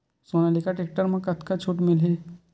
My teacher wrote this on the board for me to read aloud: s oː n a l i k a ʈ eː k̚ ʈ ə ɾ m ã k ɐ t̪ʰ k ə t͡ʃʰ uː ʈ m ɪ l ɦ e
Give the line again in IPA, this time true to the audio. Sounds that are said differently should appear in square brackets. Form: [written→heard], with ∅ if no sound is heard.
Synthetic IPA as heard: s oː n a l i k a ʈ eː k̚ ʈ ə ɾ m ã k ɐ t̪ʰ k [ə→a] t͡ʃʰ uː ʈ m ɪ l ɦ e